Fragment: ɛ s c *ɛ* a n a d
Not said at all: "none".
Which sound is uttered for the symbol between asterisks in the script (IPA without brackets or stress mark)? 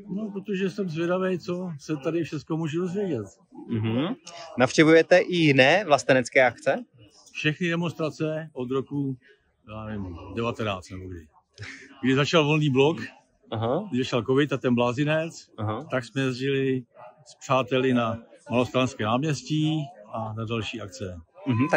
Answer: i